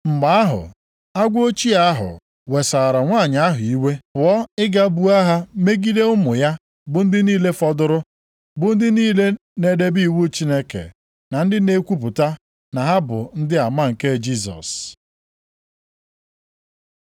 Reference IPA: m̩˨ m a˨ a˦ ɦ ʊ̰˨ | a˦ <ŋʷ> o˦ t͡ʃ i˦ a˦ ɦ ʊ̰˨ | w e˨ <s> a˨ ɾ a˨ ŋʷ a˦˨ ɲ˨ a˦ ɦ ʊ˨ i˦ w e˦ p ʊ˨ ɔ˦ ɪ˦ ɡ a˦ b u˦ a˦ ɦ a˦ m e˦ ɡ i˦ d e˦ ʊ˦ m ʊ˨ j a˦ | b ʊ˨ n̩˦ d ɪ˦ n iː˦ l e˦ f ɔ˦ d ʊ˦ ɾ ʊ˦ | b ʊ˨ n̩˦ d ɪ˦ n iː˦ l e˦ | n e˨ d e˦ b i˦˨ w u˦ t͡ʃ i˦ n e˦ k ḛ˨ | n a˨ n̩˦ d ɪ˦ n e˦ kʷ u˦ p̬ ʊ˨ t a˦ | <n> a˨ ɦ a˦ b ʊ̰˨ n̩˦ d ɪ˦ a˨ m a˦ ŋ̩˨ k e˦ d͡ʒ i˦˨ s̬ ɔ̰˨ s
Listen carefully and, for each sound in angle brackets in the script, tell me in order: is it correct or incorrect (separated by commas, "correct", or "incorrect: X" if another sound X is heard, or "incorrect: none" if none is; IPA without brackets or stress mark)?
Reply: incorrect: ɡʷ, correct, correct